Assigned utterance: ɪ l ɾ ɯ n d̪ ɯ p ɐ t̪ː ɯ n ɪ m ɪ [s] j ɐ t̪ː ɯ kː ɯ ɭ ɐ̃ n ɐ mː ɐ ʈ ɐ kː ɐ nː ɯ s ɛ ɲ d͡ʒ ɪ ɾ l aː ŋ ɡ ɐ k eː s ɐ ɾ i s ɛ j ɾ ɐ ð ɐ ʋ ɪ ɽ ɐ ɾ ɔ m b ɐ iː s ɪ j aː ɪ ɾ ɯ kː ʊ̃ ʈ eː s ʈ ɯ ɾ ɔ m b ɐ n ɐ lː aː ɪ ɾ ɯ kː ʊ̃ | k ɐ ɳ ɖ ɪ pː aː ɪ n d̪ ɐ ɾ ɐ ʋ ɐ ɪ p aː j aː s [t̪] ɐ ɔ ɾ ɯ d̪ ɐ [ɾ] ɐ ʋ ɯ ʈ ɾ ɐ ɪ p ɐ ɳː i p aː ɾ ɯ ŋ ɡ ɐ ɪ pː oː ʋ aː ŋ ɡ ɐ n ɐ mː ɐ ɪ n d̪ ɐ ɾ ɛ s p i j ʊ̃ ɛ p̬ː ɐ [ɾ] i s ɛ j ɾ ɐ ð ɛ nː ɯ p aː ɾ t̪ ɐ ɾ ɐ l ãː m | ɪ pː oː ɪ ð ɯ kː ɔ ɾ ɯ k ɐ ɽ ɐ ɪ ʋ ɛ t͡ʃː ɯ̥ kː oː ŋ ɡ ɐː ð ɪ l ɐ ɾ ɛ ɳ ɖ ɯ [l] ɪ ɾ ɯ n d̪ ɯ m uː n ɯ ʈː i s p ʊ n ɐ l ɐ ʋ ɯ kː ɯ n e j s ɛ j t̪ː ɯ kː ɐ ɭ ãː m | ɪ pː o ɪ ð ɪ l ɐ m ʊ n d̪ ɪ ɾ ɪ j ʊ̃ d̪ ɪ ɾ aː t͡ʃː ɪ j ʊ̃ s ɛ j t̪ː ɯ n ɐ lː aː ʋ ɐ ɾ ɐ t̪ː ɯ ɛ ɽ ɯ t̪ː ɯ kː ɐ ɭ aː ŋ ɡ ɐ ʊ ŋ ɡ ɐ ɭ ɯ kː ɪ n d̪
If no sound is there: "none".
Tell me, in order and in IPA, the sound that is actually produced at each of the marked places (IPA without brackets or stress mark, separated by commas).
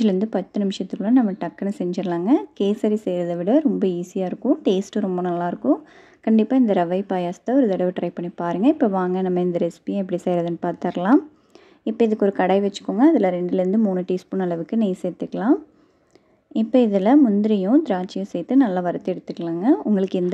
ʂ, t̪, ɽ, ɽ, l